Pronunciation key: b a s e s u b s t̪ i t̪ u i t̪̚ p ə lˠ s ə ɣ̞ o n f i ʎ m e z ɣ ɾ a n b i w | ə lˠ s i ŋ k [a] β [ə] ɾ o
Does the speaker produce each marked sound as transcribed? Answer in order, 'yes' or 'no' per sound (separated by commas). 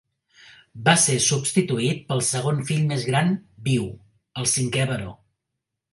no, yes